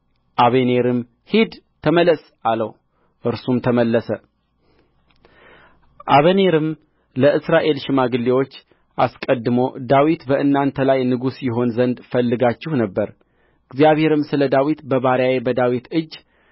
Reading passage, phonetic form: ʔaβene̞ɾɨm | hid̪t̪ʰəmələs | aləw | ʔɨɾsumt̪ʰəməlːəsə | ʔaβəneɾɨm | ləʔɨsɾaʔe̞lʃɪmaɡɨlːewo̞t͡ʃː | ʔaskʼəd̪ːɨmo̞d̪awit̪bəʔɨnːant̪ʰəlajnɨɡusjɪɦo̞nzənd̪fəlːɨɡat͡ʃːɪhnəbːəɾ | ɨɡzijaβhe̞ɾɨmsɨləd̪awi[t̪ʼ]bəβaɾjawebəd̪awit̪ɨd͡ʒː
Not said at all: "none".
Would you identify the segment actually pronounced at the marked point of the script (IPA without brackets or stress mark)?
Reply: t̪